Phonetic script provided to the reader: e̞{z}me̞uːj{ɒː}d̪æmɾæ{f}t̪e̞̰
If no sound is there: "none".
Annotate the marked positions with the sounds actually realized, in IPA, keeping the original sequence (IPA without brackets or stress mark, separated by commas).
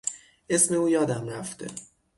s, ɒː, f